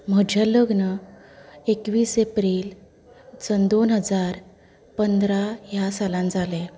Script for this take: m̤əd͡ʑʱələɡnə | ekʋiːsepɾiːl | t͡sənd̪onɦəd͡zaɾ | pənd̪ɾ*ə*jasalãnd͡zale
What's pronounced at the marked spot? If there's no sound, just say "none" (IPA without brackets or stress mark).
a